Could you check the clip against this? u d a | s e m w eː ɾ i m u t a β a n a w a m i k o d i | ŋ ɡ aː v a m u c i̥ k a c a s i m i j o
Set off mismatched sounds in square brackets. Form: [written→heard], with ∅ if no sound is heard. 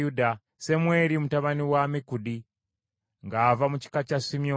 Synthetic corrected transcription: u d a | s e m w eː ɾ i m u t a β a n [a→i] w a m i k [o→u] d i | ŋ ɡ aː v a m u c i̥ k a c a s i m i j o